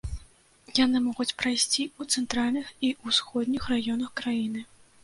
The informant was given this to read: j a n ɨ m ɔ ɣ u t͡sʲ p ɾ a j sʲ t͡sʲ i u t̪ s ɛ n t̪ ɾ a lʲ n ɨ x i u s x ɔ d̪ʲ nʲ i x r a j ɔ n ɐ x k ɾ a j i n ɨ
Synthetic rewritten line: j a n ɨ m ɔ ɣ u t͡sʲ p ɾ a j sʲ t͡sʲ i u t̪ s ɛ n t̪ ɾ a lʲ n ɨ x i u s x ɔ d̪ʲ nʲ i x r a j ɔ n ɐ x k ɾ a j i n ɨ